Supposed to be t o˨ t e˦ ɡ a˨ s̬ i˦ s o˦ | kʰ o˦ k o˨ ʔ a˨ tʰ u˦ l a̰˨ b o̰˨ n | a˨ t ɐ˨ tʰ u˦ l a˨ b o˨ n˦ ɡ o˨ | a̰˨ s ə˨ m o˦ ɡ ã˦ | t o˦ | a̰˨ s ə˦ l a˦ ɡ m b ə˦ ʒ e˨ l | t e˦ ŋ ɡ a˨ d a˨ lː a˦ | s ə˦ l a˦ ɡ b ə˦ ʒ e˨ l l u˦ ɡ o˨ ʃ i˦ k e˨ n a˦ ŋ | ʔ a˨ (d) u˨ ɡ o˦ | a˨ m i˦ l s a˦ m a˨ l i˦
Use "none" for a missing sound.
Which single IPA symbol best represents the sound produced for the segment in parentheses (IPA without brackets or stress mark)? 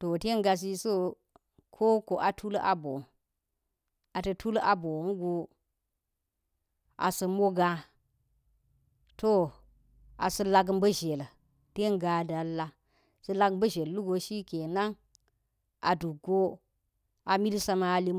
d